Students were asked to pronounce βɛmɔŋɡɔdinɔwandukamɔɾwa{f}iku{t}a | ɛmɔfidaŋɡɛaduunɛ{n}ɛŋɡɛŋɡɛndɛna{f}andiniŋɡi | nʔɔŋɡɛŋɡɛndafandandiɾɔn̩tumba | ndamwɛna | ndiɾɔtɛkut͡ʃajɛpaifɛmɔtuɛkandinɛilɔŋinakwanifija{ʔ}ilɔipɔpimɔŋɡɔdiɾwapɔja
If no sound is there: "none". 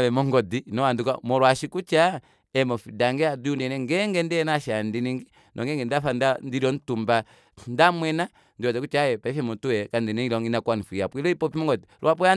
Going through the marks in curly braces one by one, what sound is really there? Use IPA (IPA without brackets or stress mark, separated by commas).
ʃ, t͡ʃ, n, ʃ, p